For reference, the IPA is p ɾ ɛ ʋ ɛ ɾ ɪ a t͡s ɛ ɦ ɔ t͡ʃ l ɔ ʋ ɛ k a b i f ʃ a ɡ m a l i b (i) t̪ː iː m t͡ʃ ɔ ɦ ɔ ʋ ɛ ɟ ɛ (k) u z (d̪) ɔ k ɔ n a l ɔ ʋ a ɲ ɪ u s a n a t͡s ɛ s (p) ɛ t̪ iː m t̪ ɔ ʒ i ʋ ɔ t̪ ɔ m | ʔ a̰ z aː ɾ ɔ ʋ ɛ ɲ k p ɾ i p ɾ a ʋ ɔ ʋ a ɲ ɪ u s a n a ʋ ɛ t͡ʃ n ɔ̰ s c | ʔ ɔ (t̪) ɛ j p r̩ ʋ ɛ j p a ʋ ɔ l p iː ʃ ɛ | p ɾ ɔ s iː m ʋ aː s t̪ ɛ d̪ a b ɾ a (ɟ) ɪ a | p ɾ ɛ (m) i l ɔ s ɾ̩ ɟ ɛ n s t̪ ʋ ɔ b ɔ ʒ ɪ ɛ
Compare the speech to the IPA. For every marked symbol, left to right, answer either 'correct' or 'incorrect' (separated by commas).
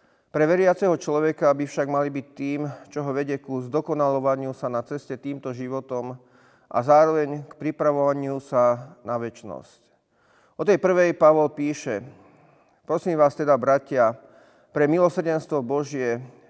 correct, correct, correct, incorrect, correct, incorrect, correct